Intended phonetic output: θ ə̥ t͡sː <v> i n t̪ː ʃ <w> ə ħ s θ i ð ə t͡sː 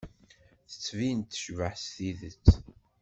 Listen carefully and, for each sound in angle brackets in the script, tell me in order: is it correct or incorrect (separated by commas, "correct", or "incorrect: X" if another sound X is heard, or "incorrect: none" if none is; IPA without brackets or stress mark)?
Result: correct, incorrect: v